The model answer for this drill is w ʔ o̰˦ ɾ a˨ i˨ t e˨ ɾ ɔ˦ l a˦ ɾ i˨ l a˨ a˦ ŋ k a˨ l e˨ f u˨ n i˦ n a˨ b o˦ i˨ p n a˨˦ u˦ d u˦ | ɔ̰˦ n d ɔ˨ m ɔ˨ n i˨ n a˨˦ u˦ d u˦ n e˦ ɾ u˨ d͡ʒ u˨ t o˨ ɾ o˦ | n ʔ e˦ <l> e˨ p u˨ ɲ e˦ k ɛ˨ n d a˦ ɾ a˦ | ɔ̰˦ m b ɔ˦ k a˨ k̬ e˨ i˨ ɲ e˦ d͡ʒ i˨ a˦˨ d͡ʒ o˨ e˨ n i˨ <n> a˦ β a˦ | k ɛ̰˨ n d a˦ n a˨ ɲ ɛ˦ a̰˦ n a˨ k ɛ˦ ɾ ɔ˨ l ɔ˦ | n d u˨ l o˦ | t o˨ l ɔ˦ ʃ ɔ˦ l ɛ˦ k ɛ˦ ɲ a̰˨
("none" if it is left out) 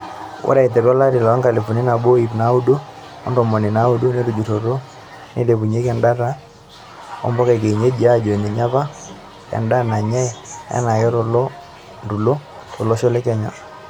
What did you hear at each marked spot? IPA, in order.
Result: l, ɲ

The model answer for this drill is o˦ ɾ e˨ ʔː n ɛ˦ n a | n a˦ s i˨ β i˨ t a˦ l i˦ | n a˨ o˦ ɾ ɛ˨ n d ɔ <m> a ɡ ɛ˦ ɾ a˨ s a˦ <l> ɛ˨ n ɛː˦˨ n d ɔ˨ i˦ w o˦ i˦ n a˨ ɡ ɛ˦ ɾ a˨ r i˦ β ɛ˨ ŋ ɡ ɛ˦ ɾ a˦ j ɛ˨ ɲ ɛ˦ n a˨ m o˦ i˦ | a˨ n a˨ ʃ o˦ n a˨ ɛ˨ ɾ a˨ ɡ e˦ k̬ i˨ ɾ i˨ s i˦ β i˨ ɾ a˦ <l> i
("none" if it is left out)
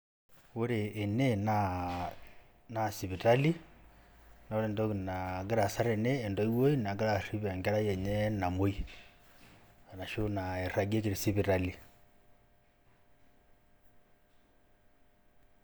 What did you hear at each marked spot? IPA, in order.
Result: n, ɾ, l

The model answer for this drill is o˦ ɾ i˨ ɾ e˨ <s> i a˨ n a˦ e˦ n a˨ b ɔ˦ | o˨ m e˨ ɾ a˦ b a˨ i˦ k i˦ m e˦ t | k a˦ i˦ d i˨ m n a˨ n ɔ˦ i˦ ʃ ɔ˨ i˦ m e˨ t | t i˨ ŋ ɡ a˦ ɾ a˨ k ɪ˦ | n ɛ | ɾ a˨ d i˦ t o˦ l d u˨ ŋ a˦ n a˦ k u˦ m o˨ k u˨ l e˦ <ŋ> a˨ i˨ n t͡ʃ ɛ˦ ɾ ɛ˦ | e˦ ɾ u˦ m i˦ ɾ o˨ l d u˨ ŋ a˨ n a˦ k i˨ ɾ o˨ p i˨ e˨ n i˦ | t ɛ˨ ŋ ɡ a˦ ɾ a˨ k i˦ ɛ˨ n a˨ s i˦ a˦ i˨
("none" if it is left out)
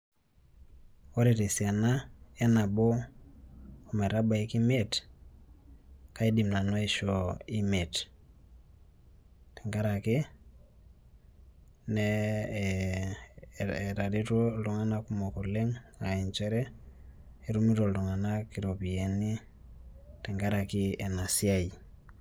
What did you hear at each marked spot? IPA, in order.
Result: s, ŋ

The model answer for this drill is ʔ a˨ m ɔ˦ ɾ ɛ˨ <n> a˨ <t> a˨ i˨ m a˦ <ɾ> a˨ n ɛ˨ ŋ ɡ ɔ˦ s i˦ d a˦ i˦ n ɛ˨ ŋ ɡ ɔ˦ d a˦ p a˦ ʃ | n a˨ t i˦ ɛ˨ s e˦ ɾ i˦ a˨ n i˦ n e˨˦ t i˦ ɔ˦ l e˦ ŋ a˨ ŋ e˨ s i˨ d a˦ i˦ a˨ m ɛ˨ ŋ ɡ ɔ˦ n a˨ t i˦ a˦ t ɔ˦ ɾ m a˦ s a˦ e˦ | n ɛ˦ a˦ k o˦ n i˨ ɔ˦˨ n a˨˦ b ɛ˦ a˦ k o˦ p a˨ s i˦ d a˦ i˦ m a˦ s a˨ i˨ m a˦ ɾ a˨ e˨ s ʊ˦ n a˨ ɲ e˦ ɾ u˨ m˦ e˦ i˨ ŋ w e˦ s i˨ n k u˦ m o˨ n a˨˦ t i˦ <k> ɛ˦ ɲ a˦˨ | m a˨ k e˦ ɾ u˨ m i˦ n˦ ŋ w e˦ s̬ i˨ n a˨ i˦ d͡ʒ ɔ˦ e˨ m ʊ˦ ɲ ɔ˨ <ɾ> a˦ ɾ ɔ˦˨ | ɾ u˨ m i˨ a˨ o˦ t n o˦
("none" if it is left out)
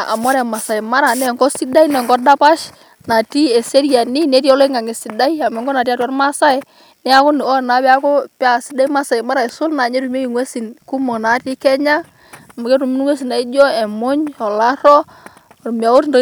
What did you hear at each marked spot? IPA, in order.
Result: m, s, ɾ, k, l

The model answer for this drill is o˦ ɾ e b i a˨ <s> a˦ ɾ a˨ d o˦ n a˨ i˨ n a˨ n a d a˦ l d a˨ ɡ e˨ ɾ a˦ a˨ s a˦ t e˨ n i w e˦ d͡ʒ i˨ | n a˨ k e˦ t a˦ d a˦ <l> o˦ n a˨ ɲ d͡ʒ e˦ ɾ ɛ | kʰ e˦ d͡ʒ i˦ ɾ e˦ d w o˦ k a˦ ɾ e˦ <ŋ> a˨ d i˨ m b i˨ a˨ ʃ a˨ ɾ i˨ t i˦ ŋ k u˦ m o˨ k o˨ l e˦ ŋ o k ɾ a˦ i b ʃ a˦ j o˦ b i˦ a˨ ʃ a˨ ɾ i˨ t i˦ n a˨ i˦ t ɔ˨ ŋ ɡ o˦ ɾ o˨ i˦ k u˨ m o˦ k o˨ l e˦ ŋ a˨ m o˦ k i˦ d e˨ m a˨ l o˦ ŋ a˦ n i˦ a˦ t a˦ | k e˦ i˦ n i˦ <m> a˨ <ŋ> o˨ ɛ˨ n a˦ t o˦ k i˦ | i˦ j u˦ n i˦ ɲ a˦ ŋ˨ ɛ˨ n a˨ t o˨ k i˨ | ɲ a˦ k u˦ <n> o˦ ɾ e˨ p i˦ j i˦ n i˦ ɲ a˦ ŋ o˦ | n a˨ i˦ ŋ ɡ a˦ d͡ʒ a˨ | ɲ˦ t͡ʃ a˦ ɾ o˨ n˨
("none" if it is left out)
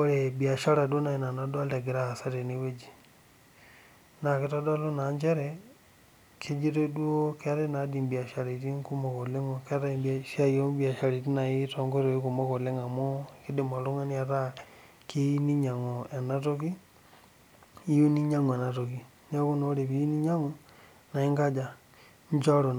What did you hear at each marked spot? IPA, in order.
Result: ʃ, l, n, ɲ, ŋ, n

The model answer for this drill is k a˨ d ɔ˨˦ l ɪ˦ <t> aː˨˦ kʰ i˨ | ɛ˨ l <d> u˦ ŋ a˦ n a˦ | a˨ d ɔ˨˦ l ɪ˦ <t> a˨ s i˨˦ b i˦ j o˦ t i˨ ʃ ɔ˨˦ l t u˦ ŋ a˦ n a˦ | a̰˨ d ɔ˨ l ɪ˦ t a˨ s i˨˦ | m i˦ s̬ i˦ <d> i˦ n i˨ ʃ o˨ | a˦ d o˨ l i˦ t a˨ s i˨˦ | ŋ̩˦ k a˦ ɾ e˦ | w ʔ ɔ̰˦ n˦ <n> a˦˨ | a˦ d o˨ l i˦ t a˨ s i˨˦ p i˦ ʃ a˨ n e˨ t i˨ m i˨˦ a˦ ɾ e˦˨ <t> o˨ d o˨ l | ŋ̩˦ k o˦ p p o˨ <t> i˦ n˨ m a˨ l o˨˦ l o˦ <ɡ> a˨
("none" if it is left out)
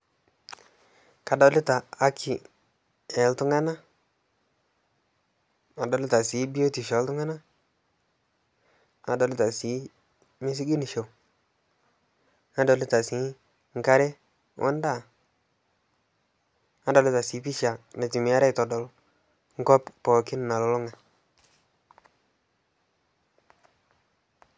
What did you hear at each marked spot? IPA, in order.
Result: t, t, t, ɡ, d, t, k, ŋ

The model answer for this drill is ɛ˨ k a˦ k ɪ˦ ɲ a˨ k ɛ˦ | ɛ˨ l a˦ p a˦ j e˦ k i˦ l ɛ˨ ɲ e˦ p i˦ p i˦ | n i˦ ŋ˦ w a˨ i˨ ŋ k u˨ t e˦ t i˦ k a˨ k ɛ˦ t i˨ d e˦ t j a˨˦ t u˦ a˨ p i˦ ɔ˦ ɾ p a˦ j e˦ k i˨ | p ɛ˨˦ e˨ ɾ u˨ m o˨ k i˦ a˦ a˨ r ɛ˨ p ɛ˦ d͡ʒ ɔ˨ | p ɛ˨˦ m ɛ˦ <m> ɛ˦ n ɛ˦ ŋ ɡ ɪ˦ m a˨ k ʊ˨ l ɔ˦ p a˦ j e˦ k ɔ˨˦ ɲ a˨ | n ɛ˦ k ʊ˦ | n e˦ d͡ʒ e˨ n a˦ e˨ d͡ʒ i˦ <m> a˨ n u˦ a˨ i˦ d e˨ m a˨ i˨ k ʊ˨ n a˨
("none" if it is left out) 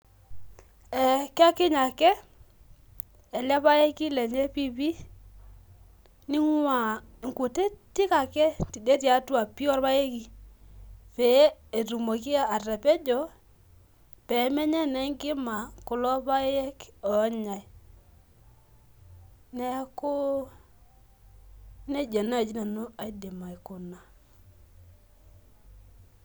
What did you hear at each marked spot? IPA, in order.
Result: ɲ, n

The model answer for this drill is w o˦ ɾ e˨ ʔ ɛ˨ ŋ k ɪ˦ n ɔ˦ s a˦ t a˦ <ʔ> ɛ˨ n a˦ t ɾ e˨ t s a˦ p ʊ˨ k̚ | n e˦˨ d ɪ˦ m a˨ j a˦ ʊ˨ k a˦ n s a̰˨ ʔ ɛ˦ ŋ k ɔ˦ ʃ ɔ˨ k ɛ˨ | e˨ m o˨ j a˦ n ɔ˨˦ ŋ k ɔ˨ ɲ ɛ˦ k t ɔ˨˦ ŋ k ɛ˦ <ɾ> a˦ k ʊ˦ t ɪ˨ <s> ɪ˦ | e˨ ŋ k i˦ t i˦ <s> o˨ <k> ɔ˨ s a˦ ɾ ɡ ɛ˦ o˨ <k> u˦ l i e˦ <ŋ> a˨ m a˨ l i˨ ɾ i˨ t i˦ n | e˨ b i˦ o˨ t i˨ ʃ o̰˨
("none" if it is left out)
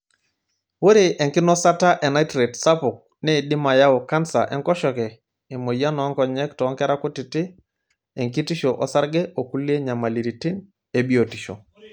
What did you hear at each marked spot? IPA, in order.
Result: ʔ, ɾ, t, ʃ, ʔ, k, ɲ

